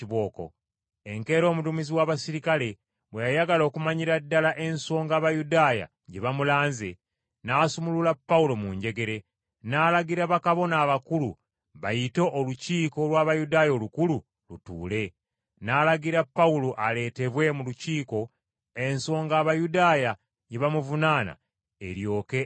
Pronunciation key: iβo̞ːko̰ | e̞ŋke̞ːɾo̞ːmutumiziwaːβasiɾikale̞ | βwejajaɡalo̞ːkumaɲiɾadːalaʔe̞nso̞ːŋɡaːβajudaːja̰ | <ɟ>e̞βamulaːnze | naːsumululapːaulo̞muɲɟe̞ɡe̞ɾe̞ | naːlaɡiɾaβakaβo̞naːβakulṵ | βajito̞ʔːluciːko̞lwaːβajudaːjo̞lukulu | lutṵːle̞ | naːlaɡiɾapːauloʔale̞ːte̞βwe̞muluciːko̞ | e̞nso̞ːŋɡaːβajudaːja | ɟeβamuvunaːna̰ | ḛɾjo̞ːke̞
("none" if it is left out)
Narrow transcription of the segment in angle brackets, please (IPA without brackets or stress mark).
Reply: ɟ